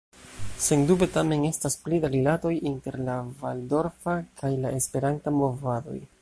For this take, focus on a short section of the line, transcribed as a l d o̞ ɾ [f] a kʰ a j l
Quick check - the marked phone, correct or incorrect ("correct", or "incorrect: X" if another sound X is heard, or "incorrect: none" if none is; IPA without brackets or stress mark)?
correct